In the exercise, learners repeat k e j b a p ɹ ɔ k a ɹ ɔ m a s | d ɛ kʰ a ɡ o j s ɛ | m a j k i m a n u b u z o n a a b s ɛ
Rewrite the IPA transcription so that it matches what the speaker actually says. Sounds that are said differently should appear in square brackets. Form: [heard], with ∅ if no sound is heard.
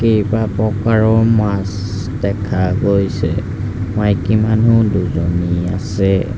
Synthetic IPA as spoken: k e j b a p ɹ ɔ k a ɹ ɔ m a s | d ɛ kʰ a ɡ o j s ɛ | m a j k i m a n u [d] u z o n [i] a [∅] s ɛ